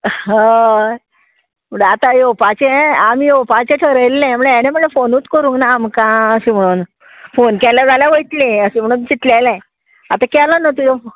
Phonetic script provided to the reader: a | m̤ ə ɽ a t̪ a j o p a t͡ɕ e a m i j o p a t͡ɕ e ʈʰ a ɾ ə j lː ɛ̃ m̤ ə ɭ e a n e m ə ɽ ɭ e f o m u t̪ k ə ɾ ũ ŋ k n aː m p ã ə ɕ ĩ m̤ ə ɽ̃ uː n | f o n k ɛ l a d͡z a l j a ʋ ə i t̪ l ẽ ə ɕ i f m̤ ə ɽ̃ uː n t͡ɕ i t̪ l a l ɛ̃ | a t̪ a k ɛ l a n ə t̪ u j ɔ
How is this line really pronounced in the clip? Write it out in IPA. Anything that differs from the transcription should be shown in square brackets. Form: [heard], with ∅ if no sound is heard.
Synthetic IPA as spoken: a | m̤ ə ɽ a t̪ a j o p a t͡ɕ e a m i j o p a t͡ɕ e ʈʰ [ə] ɾ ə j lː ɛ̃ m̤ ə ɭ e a n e m ə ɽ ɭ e f o [n] u t̪ k ə ɾ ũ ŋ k n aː m [k] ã ə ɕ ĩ m̤ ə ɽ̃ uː n | f o n k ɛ l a d͡z a l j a ʋ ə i t̪ l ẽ ə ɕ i [∅] m̤ ə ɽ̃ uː n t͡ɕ i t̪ l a l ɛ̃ | a t̪ a k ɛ l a n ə t̪ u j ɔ